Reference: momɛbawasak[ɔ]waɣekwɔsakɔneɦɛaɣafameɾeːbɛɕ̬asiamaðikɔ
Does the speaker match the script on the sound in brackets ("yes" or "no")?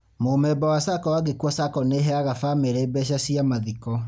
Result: yes